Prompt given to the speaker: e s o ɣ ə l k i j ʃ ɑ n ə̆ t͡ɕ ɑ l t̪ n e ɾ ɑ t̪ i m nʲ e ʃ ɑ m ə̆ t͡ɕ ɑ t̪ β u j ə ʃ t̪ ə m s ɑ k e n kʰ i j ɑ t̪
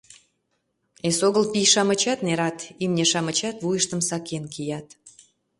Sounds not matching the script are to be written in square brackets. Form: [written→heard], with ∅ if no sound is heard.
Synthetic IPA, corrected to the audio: e s o ɣ ə l [k→p] i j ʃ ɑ [n→m] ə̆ t͡ɕ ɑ [l→∅] t̪ n e ɾ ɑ t̪ i m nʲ e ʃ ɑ m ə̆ t͡ɕ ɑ t̪ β u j ə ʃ t̪ ə m s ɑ k e n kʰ i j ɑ t̪